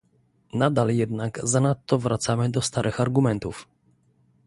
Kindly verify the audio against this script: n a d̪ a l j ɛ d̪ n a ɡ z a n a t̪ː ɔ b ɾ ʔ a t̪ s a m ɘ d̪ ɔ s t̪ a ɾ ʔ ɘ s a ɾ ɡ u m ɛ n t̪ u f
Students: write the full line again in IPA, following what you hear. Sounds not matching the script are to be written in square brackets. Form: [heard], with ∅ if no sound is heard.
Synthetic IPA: n a d̪ a l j ɛ d̪ n a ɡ z a n a t̪ː ɔ [v] ɾ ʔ a t̪ s a m ɘ d̪ ɔ s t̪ a ɾ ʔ ɘ [x] a ɾ ɡ u m ɛ n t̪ u f